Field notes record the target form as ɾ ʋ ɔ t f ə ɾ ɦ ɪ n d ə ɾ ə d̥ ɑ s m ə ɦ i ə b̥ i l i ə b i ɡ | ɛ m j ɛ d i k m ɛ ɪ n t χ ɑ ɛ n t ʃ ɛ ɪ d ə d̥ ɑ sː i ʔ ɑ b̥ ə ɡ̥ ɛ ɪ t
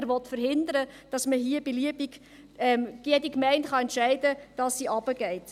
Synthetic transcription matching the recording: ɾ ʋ ɔ t f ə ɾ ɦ ɪ n d ə ɾ ə d̥ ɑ s m ə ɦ i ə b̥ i l i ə b i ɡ | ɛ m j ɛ d i k m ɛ ɪ n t χ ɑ ɛ n t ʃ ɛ ɪ d ə d̥ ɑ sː i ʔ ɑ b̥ ə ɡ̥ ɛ ɪ t